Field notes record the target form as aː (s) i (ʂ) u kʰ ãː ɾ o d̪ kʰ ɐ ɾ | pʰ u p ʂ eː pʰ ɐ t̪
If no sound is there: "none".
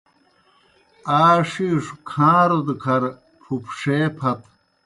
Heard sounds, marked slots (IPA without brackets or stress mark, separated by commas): ʂ, ʂ